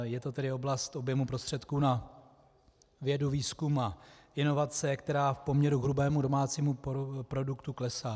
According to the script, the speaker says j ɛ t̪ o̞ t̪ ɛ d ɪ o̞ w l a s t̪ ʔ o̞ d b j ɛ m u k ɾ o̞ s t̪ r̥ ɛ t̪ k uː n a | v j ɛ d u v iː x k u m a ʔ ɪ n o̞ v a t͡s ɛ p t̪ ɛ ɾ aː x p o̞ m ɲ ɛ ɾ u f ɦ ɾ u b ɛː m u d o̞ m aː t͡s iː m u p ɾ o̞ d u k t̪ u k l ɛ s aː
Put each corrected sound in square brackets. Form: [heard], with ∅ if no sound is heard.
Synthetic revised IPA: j ɛ t̪ o̞ t̪ ɛ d ɪ o̞ [b] l a s t̪ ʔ o̞ [∅] b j ɛ m u [p] ɾ o̞ s t̪ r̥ ɛ t̪ k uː n a | v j ɛ d u v iː [s] k u m a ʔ ɪ n o̞ v a t͡s ɛ [k] t̪ ɛ ɾ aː [f] p o̞ m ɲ ɛ ɾ u [∅] ɦ ɾ u b ɛː m u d o̞ m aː t͡s iː m u p ɾ o̞ d u k t̪ u k l ɛ s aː

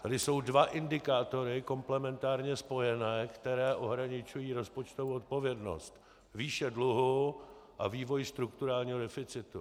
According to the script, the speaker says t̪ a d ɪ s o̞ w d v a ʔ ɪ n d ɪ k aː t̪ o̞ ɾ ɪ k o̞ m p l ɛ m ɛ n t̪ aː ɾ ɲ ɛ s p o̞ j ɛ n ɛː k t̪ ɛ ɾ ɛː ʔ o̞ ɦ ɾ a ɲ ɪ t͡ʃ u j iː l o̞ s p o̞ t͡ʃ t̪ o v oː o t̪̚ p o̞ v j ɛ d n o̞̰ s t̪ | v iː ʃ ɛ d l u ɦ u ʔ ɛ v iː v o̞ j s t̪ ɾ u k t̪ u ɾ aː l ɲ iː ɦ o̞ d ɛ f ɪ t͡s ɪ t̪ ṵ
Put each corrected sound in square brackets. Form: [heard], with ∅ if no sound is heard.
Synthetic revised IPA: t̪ a d ɪ s o̞ w d v a ʔ ɪ n d ɪ k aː t̪ o̞ ɾ ɪ k o̞ m p l ɛ m ɛ n t̪ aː ɾ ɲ ɛ s p o̞ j ɛ n ɛː k t̪ ɛ ɾ ɛː ʔ o̞ ɦ ɾ a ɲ ɪ t͡ʃ u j iː [ɾ] o̞ s p o̞ t͡ʃ t̪ o v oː o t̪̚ p o̞ v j ɛ d n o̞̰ s t̪ | v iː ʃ ɛ d l u ɦ u ʔ [a] v iː v o̞ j s t̪ ɾ u k t̪ u ɾ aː l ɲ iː ɦ o̞ d ɛ f ɪ t͡s ɪ t̪ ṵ

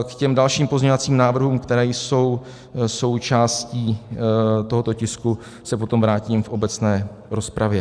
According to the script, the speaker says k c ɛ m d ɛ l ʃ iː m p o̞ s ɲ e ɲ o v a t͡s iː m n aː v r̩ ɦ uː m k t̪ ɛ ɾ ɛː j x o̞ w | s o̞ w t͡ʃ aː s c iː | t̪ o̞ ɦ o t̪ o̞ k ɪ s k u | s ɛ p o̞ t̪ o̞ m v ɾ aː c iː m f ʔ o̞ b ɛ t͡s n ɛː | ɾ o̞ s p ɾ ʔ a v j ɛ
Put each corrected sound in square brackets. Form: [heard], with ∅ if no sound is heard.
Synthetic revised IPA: k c ɛ m d [a] l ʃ iː m p o̞ [z] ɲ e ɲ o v a t͡s iː m n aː v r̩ ɦ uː m k t̪ ɛ ɾ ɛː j [s] o̞ w | s o̞ w t͡ʃ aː s c iː | t̪ o̞ ɦ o t̪ o̞ [c] ɪ s k u | s ɛ p o̞ t̪ o̞ m v ɾ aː c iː m f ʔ o̞ b ɛ t͡s n ɛː | ɾ o̞ s p ɾ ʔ a v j ɛ

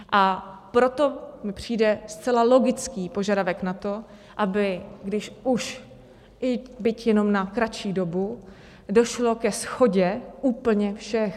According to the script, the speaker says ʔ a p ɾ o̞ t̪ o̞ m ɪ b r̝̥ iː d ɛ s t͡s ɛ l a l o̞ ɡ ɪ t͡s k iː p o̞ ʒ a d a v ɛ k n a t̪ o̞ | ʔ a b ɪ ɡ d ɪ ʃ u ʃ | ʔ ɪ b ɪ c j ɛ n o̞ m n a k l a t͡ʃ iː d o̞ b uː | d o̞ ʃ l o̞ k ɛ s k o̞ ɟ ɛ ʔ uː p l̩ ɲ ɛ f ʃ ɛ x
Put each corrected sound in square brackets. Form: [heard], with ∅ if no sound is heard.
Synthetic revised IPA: ʔ a p ɾ o̞ t̪ o̞ m ɪ [p] r̝̥ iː d ɛ s t͡s ɛ l a l o̞ ɡ ɪ t͡s k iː p o̞ ʒ a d a v ɛ k n a t̪ o̞ | ʔ a b ɪ ɡ d ɪ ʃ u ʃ | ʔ ɪ b ɪ c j ɛ n o̞ m n a k [ɾ] a t͡ʃ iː d o̞ b [u] | d o̞ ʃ l o̞ k ɛ s [x] o̞ ɟ ɛ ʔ uː p l̩ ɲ ɛ f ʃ ɛ x

